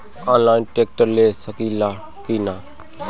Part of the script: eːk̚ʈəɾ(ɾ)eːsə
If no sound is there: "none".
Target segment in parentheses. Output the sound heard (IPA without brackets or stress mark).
l